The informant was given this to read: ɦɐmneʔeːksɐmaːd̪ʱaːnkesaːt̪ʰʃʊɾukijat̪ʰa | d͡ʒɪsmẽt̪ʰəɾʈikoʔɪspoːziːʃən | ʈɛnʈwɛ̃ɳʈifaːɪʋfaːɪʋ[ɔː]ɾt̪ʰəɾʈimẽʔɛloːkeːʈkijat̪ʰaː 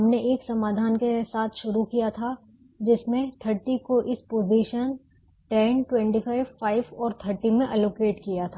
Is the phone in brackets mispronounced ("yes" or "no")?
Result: no